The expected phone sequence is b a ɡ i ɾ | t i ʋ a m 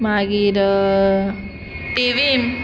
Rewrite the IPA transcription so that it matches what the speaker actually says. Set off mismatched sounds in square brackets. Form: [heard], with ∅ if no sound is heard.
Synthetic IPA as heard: [m] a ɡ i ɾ | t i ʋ [i] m